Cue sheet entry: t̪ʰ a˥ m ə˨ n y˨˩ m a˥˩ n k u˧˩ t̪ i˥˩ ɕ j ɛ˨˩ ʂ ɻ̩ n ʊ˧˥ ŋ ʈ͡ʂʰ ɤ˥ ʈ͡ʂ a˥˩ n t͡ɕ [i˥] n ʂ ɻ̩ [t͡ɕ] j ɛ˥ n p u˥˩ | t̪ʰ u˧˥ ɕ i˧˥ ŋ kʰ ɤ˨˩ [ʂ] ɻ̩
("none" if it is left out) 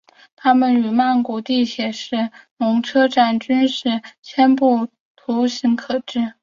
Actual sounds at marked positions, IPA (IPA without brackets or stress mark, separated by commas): y˥, t͡ɕʰ, ʈ͡ʂ